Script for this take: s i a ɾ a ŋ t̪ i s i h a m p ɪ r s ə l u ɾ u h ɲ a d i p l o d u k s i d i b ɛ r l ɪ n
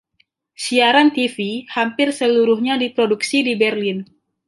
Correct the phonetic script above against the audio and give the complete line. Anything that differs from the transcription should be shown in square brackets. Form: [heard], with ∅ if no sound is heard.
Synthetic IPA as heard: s i a ɾ a [n] t̪ i [f] i h a m p ɪ r s ə l u ɾ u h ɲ a d i p [ɾ] o d u k s i d i b ɛ r l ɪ n